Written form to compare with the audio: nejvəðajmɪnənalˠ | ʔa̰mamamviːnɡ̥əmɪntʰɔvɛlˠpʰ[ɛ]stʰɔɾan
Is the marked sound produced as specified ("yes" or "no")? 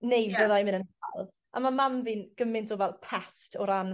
yes